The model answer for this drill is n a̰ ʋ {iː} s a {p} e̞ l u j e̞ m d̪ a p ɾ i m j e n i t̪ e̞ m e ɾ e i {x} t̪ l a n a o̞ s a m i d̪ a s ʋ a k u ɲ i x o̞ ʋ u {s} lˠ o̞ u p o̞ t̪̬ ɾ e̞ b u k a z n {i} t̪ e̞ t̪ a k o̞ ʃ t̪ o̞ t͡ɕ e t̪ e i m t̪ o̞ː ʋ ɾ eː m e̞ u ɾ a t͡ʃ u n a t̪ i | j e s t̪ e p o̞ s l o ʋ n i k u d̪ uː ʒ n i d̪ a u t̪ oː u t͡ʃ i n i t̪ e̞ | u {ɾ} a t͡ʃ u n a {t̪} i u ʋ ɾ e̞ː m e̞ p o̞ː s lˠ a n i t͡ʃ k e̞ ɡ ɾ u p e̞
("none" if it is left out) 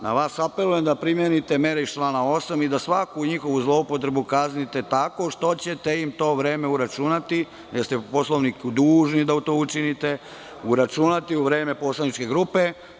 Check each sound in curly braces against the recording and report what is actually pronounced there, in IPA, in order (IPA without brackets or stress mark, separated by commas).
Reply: aː, p, ʃ, z, i, ɾ, t̪